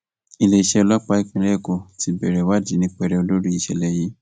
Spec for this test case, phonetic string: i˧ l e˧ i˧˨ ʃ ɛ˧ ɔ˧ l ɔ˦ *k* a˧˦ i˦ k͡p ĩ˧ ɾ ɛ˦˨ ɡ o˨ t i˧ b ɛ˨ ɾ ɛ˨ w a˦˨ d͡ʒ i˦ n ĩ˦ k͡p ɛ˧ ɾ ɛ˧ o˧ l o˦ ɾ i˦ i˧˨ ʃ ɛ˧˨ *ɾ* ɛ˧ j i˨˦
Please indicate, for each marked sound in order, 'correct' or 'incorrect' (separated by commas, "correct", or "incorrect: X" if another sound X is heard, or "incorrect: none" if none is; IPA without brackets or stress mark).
incorrect: k͡p, incorrect: l